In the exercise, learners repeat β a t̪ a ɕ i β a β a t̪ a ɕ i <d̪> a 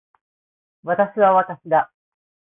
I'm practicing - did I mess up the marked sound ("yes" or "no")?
no